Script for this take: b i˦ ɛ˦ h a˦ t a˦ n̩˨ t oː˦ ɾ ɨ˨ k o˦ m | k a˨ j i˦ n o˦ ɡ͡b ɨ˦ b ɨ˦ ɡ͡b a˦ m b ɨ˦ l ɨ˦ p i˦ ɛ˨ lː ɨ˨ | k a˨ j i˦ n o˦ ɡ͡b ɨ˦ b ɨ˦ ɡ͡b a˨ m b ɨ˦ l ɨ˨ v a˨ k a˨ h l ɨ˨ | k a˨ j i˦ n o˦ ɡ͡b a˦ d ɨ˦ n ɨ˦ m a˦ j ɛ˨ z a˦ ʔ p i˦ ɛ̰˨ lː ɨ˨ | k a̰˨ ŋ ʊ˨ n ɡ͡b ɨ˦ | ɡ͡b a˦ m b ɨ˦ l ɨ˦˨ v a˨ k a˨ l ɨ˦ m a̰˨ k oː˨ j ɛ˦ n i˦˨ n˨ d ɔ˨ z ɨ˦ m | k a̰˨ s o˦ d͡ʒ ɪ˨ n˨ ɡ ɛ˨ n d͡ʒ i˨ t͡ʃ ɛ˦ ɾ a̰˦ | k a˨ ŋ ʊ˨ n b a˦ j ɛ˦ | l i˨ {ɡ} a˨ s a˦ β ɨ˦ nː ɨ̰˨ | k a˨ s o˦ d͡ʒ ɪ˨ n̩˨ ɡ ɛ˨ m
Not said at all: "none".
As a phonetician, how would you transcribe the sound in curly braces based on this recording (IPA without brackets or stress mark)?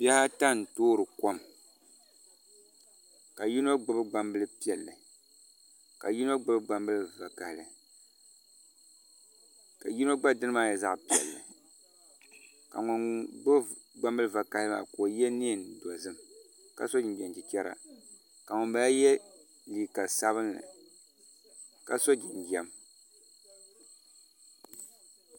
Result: k